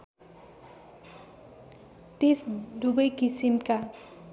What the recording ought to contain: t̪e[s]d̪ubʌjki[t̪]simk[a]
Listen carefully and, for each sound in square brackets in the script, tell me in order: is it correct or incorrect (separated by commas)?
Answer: correct, incorrect, correct